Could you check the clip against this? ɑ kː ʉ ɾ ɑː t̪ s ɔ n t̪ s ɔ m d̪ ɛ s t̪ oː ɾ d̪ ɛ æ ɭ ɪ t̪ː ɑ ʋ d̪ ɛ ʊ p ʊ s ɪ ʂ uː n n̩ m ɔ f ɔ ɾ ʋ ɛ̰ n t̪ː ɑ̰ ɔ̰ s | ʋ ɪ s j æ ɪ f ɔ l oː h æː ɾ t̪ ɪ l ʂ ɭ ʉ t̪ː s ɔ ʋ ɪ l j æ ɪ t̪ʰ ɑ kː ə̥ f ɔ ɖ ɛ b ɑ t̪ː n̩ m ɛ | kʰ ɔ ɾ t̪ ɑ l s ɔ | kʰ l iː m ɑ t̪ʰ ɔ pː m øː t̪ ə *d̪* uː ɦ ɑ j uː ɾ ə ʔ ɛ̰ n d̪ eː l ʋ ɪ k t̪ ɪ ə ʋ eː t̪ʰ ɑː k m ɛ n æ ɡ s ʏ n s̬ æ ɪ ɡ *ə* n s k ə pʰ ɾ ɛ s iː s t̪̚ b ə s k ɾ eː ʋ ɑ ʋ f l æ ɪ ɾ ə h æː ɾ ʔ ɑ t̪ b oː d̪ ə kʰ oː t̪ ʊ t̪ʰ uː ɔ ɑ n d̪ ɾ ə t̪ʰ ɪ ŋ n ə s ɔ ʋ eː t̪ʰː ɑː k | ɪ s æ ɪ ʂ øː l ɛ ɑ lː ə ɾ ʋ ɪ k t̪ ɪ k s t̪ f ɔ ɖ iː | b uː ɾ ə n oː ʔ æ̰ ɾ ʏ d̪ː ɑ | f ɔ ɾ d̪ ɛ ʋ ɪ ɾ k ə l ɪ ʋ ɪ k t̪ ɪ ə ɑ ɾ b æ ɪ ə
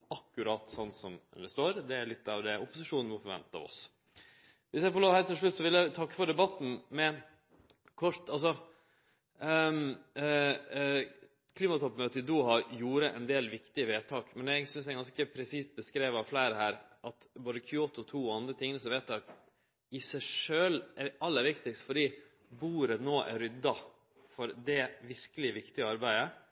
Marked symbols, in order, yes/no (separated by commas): yes, no